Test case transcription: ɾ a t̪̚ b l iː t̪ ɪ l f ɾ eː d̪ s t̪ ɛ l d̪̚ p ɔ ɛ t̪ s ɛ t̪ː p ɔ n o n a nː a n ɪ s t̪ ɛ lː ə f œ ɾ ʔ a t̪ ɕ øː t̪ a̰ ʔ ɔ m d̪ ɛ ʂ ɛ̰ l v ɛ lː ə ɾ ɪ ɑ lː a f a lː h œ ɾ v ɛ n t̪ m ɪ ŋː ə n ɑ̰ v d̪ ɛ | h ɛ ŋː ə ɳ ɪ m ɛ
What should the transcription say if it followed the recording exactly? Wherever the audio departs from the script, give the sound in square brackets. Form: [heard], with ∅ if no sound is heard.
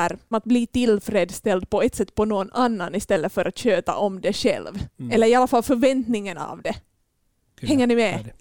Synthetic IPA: ɾ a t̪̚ b l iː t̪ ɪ l f ɾ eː d̪ s t̪ ɛ l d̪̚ p ɔ ɛ t̪ s ɛ t̪ː p ɔ n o n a nː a n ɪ s t̪ ɛ lː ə f œ ɾ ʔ a t̪ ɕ øː t̪ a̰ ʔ ɔ m d̪ ɛ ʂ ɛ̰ l v ɛ lː ə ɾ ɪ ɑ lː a f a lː [f] œ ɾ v ɛ n t̪ [n] ɪ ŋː ə n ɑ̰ v d̪ ɛ | h ɛ ŋː ə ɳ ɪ m ɛ